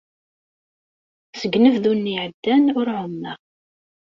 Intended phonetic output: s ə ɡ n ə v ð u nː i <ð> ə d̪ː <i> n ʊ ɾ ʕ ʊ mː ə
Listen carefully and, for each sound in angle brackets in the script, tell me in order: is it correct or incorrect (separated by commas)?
incorrect, incorrect